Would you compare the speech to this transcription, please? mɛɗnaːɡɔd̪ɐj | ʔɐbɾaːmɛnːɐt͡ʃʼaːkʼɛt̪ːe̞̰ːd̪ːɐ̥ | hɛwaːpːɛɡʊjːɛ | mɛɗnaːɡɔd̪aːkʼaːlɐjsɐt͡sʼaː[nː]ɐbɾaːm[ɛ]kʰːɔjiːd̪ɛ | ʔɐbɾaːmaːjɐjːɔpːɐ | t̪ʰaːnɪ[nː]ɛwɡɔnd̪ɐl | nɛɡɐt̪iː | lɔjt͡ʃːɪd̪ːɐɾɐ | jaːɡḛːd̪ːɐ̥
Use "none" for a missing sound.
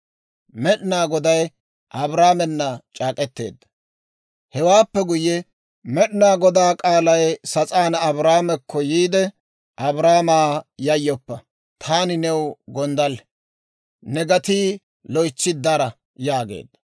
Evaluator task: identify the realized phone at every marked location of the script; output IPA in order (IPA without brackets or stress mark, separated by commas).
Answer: n, ɛ, n